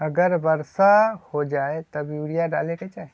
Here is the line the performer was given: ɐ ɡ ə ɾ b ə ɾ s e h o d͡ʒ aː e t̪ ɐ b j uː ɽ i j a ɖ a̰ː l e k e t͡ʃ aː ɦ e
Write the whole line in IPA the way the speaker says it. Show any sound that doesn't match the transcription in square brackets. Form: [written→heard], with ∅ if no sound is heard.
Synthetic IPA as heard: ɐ ɡ ə ɾ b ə ɾ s [e→a] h o d͡ʒ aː e t̪ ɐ b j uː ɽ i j a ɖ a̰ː l e k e t͡ʃ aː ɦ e